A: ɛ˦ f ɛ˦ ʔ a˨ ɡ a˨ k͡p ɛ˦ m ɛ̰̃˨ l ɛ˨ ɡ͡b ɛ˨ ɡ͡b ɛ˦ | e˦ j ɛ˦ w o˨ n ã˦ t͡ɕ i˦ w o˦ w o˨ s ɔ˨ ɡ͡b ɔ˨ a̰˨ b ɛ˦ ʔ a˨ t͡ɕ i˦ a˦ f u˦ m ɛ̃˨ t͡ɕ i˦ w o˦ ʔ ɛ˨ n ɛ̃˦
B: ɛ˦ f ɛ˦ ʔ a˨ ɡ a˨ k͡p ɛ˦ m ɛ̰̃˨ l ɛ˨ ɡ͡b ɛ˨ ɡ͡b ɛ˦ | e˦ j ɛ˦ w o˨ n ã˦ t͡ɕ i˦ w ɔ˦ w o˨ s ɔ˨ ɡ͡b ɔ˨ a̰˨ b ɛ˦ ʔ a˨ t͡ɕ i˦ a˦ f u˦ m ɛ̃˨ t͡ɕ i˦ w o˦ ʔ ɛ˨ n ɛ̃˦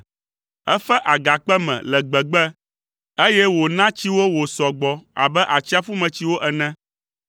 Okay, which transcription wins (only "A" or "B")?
A